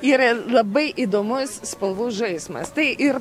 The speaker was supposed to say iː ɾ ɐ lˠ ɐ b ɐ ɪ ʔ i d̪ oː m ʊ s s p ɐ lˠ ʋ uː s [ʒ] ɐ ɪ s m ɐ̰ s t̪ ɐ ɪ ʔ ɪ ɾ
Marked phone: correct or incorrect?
correct